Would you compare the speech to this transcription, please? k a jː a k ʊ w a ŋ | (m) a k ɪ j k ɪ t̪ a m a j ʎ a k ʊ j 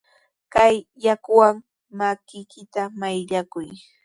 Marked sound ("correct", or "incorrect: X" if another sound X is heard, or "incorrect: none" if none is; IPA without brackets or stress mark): correct